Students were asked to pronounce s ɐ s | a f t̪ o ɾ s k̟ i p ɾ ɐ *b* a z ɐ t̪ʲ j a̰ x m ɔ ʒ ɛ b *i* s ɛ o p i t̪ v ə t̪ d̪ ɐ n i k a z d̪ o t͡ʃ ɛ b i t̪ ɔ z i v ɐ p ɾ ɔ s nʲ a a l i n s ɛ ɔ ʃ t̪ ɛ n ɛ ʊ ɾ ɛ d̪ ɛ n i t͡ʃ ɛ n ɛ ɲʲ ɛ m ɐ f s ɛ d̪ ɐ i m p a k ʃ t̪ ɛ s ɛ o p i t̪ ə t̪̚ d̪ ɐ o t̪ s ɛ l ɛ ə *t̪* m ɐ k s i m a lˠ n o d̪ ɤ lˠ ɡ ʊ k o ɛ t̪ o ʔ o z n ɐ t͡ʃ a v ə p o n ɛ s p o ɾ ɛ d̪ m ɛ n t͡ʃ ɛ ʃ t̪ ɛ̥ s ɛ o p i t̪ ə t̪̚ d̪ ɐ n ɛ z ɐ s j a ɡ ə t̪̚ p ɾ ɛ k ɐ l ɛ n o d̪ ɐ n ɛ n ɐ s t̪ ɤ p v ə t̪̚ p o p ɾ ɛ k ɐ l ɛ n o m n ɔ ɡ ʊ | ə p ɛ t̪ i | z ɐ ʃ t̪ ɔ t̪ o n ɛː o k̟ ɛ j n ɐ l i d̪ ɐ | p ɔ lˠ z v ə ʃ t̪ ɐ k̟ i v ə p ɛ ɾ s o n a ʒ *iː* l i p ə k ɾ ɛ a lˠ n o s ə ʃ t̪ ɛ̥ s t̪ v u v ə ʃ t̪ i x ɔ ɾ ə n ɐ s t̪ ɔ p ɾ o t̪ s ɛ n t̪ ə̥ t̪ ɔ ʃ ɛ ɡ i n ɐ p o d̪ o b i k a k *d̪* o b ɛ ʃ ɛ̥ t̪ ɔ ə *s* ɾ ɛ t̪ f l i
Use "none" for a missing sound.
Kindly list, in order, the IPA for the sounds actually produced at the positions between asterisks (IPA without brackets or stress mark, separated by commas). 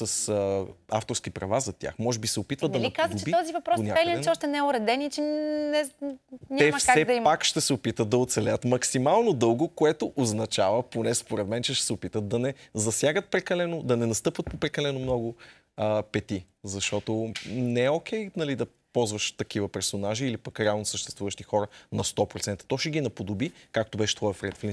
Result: v, i, t̪, iː, t̪, f